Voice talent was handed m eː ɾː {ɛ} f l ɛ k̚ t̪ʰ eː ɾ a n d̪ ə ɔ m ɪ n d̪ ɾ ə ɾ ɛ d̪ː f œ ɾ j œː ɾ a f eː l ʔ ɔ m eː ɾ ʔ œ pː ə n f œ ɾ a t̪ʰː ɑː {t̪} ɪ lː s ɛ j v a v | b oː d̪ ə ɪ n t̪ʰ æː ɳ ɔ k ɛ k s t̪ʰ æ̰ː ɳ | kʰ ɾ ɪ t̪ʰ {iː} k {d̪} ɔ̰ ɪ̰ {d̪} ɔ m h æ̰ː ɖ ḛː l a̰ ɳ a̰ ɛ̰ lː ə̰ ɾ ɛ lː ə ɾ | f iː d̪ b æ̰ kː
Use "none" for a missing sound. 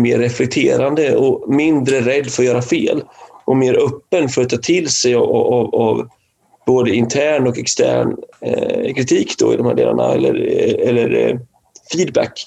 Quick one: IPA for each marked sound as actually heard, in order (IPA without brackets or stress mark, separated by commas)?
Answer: ɛ, t̪ʰ, iː, d̪, d̪